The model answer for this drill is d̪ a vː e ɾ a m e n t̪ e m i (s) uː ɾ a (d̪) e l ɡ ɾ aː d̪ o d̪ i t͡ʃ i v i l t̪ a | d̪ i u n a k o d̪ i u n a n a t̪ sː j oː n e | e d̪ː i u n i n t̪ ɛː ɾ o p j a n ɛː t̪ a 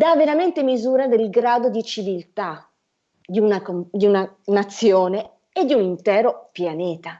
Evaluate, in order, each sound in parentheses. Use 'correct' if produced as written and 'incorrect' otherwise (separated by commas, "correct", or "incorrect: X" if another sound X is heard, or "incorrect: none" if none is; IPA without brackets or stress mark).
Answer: incorrect: z, correct